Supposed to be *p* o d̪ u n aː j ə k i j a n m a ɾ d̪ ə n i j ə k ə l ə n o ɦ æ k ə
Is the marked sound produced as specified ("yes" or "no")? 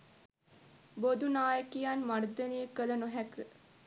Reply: no